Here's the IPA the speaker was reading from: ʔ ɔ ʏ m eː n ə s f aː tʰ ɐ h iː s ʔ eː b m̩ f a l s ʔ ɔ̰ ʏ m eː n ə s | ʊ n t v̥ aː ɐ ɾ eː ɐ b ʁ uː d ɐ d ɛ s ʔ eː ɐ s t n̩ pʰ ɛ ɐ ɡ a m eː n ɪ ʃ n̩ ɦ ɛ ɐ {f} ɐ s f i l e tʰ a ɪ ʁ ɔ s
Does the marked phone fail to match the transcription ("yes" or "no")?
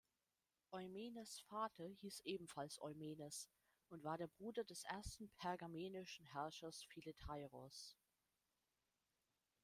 yes